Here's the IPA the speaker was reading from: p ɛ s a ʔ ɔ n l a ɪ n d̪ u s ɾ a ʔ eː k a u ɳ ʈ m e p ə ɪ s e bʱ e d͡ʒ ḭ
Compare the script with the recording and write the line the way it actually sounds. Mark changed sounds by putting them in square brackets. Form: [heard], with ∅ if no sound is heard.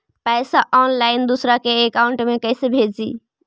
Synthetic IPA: p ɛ s a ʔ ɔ n l a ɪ n d̪ u s ɾ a [k] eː k a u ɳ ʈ m e [k] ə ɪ s e bʱ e d͡ʒ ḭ